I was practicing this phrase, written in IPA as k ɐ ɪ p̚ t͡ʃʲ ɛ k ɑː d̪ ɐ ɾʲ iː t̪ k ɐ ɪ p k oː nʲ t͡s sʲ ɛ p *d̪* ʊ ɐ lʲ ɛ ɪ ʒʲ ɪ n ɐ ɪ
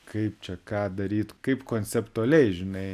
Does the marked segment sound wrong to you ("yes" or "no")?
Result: yes